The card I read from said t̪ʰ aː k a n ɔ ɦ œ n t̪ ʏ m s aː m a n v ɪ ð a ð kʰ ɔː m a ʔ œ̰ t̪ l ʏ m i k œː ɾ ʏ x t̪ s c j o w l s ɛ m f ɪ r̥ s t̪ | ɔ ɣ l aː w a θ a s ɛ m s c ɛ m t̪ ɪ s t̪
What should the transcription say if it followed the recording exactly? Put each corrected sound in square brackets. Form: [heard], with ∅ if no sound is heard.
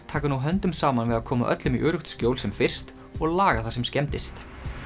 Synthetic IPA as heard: t̪ʰ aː k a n [u] ɦ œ n t̪ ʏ m s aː m a n v ɪ ð a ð kʰ ɔː m a ʔ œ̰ t̪ l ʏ m i [ʔ] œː ɾ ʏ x t̪ s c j o w l s ɛ m f ɪ r̥ s t̪ | ɔ ɣ l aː [ɣ] a θ a s ɛ m s c ɛ m t̪ ɪ s t̪